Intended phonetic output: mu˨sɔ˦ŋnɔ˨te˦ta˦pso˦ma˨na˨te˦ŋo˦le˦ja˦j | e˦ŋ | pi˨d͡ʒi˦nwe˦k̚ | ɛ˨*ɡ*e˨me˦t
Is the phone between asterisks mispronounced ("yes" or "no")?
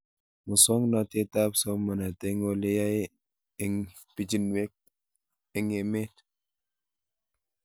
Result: yes